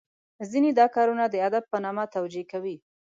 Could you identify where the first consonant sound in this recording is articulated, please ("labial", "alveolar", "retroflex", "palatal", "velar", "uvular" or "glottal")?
alveolar